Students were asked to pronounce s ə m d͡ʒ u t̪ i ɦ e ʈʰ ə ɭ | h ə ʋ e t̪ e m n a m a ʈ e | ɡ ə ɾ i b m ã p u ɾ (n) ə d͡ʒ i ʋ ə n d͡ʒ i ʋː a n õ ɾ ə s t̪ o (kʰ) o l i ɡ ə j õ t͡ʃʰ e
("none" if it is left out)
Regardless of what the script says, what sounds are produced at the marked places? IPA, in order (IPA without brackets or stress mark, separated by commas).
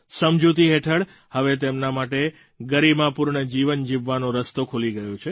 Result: ɳ, kʰ